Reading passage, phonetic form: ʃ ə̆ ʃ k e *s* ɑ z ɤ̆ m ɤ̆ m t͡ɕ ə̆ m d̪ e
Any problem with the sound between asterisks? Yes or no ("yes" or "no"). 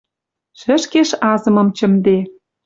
yes